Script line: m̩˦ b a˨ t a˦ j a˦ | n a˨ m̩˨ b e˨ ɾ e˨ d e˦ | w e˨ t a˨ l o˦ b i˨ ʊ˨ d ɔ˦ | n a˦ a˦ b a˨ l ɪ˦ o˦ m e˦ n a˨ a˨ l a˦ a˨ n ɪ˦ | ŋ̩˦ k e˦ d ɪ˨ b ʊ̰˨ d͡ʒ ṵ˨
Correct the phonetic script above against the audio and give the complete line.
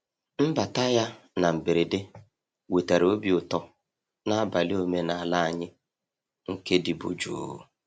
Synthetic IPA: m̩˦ b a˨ t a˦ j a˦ | n a˨ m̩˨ b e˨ ɾ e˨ d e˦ | w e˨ t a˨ ɾ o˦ b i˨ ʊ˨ t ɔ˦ | n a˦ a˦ b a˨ l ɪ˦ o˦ m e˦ n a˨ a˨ l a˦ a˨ ɲ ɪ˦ | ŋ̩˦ k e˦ d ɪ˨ b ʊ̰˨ d͡ʒ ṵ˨

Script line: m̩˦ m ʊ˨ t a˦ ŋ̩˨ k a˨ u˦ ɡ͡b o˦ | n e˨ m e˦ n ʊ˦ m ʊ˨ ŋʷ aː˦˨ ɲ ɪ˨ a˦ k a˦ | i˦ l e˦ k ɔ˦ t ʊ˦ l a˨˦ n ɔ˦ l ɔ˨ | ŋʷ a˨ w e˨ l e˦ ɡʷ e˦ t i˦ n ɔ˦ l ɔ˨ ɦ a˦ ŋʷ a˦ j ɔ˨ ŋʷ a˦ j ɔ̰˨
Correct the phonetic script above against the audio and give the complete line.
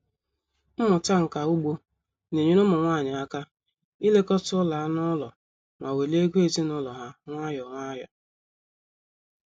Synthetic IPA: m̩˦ m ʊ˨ t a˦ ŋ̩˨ k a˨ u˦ ɡ͡b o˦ | n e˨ ɲ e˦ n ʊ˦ m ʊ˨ ŋʷ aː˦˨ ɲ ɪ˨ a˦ k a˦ | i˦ l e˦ k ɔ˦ t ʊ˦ l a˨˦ n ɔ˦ l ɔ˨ | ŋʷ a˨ w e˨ l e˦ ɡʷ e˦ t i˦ n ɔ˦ l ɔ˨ ɦ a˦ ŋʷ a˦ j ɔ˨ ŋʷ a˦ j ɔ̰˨

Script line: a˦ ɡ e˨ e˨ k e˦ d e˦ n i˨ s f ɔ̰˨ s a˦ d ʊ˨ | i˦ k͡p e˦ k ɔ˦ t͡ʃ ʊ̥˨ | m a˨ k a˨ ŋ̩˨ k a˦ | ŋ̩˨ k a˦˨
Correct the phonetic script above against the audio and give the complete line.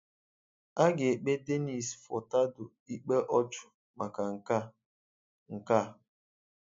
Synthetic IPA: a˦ ɡ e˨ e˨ k͡p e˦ d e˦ n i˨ s f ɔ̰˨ t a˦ d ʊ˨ | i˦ k͡p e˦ ʔ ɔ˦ t͡ʃ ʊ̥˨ | m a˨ k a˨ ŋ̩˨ k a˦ | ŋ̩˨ k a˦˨

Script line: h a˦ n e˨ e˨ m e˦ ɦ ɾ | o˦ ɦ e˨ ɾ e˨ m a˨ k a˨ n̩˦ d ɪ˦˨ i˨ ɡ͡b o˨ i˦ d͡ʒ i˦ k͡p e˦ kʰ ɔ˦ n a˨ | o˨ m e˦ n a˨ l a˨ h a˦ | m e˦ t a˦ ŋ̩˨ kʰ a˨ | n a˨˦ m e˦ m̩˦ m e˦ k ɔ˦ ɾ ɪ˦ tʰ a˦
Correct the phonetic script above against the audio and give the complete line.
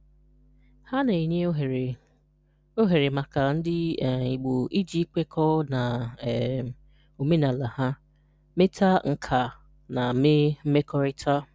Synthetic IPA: h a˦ n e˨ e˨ ɲ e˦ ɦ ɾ | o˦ ɦ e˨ ɾ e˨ m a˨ k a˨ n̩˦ d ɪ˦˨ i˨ ɡ͡b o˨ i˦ d͡ʒ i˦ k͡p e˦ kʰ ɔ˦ n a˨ | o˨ m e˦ n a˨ l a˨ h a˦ | m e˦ t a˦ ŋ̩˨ kʰ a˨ | n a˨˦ m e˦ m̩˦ m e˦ k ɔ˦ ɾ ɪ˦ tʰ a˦

